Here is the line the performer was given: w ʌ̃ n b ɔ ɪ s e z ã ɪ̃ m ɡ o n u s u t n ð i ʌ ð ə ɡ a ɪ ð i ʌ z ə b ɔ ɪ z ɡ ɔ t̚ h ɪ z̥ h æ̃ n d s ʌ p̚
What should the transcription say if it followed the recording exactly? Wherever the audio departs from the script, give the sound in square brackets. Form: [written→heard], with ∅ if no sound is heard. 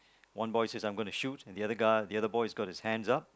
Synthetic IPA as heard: w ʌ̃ n b ɔ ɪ s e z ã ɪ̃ m ɡ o n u [s→ʃ] u t n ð i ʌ ð ə ɡ a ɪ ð i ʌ [z→ð] ə b ɔ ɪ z ɡ ɔ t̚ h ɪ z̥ h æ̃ n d [s→z] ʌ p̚